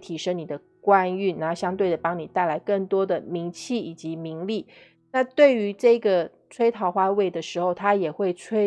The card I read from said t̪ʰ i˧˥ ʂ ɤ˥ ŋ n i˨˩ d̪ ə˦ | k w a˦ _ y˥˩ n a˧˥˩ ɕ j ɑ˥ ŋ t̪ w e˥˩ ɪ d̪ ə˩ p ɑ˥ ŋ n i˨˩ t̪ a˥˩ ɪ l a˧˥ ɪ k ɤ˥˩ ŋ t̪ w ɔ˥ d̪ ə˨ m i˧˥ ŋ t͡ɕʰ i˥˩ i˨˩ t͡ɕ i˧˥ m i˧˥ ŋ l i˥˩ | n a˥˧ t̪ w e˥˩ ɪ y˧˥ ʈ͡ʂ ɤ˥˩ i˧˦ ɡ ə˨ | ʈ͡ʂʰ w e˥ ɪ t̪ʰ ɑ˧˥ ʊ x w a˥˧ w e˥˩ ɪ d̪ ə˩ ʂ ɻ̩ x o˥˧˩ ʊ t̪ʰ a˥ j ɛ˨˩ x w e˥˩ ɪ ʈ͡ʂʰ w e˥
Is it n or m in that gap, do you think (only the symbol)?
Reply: n